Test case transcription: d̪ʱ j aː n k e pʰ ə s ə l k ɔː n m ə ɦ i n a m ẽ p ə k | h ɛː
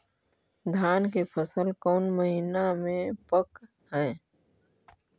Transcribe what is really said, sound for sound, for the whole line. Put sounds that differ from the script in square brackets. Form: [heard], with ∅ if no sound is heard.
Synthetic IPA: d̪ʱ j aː n k e pʰ ə s ə l k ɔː n m ə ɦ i n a m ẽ p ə k | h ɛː